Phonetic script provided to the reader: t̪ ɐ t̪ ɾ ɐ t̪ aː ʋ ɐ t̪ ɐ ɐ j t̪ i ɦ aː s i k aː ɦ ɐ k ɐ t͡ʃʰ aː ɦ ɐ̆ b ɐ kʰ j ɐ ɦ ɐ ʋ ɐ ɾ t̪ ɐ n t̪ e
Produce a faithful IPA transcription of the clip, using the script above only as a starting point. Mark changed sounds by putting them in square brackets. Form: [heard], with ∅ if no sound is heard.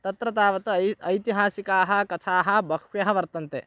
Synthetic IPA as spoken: t̪ ɐ t̪ ɾ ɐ t̪ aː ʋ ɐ t̪ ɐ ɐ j t̪ i ɦ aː s i k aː ɦ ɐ k ɐ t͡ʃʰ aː ɦ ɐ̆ b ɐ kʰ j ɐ ɦ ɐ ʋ ɐ ɾ t̪ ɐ n t̪ e